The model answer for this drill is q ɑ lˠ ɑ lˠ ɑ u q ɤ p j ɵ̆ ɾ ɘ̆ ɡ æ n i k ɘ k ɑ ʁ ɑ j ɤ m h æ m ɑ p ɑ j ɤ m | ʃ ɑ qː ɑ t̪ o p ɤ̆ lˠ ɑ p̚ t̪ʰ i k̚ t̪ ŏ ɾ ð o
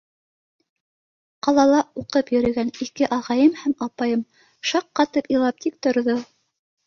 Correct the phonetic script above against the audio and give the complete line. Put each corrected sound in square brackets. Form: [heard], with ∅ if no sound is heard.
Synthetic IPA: q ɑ lˠ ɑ lˠ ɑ u q ɤ p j ɵ̆ ɾ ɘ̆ ɡ æ n i k ɘ [ʔ] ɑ ʁ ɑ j ɤ m h æ m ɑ p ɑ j ɤ m | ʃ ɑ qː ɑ t̪ [ɤ] p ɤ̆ lˠ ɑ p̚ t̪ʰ i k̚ t̪ ŏ ɾ ð o